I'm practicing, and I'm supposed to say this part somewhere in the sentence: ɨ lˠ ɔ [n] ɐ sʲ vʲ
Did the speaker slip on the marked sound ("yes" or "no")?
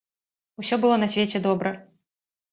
no